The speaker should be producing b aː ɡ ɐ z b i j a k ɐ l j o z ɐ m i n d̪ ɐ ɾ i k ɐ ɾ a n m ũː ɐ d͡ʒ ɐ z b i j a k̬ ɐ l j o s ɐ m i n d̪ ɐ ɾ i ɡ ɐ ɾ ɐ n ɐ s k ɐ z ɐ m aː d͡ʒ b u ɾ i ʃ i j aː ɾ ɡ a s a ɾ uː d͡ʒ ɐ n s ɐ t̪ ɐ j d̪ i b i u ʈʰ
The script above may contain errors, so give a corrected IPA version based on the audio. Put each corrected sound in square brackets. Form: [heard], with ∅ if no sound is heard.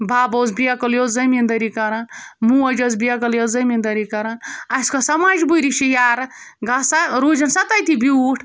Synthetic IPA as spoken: b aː [b] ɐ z b i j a k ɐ l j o z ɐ m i n d̪ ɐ ɾ i k ɐ ɾ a n m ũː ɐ d͡ʒ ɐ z b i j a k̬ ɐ l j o [z] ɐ m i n d̪ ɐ ɾ i [k] ɐ ɾ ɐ n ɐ s k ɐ [s] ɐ m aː d͡ʒ b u ɾ i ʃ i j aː ɾ ɡ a s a ɾ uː d͡ʒ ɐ n s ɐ t̪ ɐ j [t̪] i b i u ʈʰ